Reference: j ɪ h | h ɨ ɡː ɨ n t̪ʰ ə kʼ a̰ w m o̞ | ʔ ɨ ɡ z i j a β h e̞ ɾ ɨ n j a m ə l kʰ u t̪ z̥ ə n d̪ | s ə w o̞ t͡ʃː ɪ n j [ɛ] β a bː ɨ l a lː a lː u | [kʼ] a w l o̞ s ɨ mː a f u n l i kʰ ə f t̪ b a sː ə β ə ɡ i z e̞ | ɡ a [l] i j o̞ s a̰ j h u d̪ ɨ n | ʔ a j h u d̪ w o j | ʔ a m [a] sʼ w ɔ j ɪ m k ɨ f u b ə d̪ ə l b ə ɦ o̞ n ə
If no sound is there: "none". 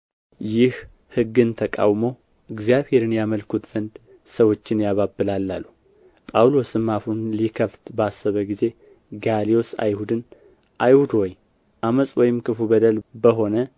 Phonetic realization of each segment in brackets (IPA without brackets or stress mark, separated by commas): a, pʼ, l, ə